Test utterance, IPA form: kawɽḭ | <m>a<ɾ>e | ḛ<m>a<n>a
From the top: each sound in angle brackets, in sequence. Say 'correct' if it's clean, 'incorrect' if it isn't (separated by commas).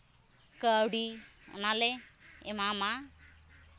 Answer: incorrect, incorrect, correct, incorrect